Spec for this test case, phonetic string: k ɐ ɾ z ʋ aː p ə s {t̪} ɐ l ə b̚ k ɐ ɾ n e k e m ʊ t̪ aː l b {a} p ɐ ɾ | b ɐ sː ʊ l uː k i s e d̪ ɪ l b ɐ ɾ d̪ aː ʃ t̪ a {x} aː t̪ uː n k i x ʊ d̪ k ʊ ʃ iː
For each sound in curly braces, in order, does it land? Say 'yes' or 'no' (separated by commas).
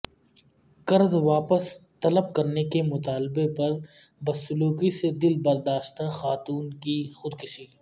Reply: yes, no, yes